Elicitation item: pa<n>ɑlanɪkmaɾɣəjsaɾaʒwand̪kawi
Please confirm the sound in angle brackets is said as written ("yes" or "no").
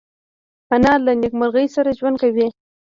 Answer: yes